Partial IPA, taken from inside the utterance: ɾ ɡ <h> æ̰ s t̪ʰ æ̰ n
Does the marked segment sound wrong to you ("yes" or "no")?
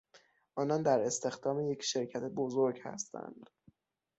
no